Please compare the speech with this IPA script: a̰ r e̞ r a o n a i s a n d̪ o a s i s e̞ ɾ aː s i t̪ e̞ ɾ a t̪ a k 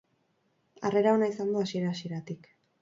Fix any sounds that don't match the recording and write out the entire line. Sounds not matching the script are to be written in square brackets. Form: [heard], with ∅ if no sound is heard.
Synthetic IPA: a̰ r e̞ [ɾ] a o n a i s a n d̪ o a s i [∅] e̞ ɾ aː s i [∅] e̞ ɾ a t̪ [i] k